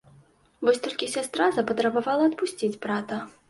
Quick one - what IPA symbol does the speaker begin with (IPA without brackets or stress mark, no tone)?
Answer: v